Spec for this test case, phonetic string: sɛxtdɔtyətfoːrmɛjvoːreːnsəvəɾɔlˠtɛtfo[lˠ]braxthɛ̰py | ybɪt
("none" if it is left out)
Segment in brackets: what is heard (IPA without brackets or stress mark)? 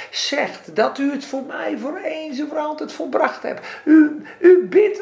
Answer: lˠ